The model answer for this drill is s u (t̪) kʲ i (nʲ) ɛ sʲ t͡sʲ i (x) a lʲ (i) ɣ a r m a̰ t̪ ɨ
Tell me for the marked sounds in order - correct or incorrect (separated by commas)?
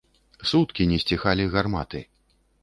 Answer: correct, correct, correct, correct